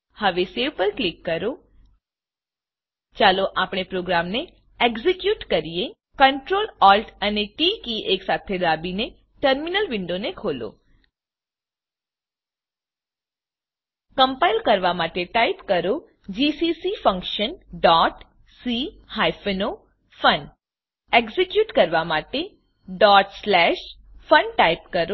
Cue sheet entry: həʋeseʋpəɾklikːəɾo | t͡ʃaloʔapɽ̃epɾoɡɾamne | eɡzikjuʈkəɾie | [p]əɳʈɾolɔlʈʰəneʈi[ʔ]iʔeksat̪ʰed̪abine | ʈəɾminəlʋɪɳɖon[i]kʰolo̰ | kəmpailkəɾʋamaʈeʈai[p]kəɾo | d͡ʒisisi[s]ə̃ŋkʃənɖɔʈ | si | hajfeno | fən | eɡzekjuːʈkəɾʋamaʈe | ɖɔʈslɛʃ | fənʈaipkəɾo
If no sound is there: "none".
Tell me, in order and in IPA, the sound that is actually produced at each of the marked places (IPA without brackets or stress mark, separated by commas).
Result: k, k, e, p, f